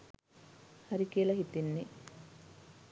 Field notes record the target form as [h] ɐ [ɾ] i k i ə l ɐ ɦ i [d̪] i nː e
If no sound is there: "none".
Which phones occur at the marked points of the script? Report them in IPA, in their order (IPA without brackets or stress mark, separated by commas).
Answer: h, ɾ, t̪